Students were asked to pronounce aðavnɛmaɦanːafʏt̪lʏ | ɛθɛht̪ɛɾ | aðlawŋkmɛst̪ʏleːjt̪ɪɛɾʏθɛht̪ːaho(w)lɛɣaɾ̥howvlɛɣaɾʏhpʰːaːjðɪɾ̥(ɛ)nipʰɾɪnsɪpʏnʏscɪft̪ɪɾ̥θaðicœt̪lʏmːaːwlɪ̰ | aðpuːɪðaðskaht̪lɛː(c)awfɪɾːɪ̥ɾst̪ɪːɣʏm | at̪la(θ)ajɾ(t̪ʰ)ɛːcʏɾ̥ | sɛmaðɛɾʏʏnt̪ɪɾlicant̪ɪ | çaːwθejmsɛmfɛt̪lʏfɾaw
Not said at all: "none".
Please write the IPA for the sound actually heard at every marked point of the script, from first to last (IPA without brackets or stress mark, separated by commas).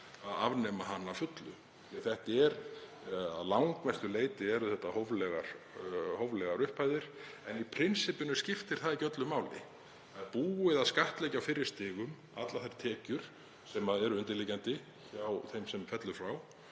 v, ɛ, c, θ, t̪ʰ